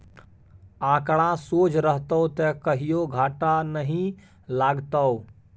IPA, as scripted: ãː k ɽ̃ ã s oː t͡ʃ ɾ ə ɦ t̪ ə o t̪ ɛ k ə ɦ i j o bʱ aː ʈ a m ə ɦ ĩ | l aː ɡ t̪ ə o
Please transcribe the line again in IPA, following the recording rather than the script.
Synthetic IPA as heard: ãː k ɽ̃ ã s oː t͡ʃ ɾ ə ɦ t̪ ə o t̪ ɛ k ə ɦ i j o ɡʱ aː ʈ a n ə ɦ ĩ | l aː ɡ t̪ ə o